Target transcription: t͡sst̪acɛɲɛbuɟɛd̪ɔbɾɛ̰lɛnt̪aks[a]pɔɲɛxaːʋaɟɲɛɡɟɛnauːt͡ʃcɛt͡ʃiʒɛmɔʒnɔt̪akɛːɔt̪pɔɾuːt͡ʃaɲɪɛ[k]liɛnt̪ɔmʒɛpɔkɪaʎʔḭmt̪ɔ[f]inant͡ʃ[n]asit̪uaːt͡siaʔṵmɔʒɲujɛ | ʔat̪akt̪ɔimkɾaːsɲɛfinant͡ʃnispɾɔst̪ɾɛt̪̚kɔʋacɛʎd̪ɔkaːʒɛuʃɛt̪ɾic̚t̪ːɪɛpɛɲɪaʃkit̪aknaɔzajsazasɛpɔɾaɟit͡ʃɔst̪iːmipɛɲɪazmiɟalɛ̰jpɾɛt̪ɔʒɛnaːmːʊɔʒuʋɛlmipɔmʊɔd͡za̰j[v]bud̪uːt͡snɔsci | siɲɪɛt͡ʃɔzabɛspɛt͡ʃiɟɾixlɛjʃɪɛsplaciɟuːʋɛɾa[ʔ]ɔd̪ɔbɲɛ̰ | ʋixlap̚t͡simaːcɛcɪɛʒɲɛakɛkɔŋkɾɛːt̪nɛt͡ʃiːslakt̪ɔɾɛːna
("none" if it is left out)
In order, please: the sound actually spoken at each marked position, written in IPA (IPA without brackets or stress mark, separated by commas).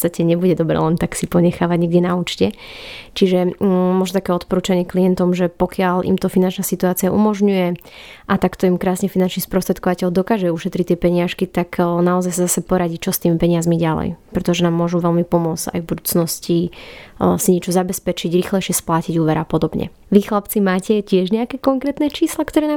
i, k, f, n, v, p